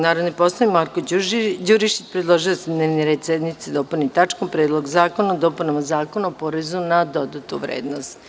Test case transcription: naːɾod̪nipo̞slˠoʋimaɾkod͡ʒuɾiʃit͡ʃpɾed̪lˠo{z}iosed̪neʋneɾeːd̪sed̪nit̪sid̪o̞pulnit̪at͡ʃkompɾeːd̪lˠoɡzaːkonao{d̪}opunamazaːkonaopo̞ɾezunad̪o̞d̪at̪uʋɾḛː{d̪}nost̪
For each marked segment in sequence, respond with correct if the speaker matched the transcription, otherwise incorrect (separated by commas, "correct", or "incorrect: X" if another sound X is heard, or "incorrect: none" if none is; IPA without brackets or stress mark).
incorrect: ʒ, correct, correct